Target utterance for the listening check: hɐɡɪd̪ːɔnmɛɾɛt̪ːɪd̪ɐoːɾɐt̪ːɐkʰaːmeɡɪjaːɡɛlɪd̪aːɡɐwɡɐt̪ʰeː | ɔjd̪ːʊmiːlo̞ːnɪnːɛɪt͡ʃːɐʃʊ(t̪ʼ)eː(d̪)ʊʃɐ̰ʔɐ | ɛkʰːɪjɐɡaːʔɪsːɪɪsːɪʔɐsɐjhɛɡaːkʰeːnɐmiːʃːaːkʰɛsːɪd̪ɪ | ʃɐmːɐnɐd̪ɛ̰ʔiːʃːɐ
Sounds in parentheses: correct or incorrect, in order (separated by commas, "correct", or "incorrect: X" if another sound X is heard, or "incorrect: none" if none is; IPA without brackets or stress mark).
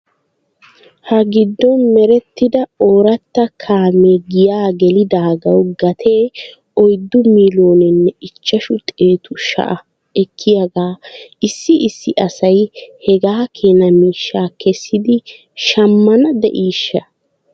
correct, incorrect: t̪